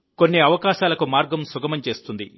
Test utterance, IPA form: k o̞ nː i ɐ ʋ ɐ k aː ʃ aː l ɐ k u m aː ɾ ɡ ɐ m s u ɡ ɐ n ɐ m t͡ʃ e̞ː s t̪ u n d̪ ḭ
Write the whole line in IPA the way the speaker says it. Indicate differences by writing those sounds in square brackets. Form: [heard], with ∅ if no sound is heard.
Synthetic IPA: k o̞ nː i ɐ ʋ ɐ k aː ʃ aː l ɐ k u m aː ɾ ɡ ɐ m s u ɡ ɐ [m] ɐ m t͡ʃ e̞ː s t̪ u n d̪ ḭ